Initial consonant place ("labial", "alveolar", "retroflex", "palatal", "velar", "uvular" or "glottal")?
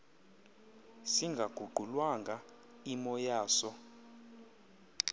alveolar